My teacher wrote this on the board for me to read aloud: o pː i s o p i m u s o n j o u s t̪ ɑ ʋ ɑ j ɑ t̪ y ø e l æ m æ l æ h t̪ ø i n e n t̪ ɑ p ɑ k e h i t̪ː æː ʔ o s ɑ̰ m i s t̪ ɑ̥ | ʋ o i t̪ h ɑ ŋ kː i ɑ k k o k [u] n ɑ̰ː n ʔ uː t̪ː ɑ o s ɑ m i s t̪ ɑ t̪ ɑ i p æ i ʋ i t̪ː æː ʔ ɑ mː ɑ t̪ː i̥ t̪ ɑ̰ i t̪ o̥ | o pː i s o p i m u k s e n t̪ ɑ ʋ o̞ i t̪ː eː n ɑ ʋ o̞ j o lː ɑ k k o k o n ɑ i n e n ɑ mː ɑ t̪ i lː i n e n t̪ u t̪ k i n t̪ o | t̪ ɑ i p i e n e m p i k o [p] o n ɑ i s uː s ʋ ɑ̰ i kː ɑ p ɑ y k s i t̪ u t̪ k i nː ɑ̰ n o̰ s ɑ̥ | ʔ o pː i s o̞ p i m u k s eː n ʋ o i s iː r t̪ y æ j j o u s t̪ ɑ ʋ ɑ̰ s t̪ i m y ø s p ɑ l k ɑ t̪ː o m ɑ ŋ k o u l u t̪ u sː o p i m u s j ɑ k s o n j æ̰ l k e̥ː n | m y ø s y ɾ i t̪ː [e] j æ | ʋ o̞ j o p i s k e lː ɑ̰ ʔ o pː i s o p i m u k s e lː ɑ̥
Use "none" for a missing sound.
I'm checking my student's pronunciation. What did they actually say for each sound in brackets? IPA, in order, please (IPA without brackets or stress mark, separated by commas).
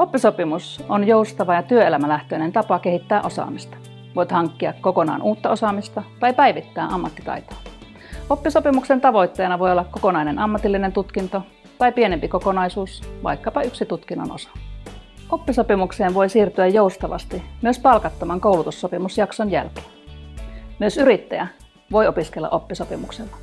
o, k, æ